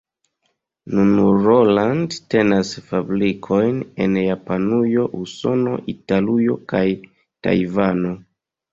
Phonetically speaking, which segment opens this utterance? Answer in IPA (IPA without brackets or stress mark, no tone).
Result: n